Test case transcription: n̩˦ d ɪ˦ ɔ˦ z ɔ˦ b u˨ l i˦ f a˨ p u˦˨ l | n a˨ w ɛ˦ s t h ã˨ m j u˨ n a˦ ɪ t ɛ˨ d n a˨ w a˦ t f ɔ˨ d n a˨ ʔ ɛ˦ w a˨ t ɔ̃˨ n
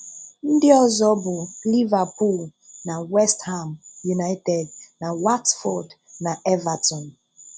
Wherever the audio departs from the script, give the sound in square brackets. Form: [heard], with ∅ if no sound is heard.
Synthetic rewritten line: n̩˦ d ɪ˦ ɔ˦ z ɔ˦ b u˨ l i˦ [v] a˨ p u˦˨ l | n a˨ w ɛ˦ s t h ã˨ m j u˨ n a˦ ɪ t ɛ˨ d n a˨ w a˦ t f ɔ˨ d n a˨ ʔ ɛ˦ [v] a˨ t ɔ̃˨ n